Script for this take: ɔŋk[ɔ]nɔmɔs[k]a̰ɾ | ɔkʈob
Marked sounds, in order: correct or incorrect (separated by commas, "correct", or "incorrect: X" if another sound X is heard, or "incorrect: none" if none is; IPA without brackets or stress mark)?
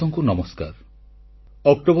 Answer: incorrect: u, correct